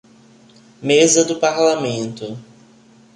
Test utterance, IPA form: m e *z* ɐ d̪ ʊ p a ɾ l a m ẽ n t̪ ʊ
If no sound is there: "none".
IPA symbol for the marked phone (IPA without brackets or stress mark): z